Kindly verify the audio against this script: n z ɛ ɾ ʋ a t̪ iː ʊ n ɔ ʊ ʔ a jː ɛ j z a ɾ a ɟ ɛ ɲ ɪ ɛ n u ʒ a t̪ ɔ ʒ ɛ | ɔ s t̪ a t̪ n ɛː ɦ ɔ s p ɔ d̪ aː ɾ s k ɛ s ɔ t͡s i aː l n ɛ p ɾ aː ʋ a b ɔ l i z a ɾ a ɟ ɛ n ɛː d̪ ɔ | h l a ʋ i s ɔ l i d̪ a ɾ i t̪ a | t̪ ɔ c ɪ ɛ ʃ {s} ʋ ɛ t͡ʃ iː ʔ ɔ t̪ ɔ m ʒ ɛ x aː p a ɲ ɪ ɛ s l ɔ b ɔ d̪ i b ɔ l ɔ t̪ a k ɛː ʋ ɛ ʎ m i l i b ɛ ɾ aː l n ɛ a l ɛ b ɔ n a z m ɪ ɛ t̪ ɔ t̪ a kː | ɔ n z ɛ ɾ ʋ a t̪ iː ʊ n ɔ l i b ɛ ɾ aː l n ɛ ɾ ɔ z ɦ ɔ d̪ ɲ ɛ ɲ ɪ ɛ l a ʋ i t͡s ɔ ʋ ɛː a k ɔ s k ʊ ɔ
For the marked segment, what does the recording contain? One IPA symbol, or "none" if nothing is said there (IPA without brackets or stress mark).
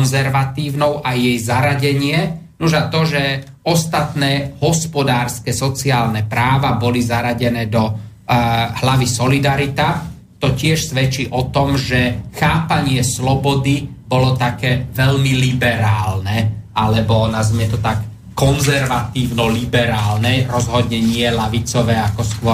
s